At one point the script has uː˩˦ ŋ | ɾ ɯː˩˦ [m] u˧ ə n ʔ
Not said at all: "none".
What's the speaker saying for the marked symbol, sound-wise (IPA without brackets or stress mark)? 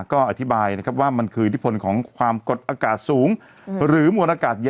m